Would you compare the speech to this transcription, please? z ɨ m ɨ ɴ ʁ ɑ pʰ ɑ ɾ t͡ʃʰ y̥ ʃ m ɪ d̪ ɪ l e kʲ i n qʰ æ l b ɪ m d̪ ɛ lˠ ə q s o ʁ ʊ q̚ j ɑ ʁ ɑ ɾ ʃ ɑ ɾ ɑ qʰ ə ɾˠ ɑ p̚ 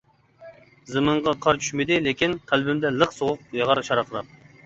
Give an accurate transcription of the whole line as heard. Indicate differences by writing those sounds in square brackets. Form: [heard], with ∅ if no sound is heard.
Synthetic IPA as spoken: z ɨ m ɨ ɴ ʁ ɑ [qʰ] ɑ ɾ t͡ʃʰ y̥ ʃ m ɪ d̪ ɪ l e kʲ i n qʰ æ l b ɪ m d̪ ɛ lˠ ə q s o ʁ ʊ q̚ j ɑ ʁ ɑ ɾ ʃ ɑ ɾ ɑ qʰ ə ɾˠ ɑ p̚